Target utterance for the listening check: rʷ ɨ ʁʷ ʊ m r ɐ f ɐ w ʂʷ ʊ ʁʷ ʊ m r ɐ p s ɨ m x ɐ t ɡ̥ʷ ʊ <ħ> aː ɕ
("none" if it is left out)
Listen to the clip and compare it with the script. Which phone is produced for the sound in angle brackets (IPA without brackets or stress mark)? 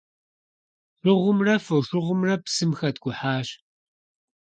ħ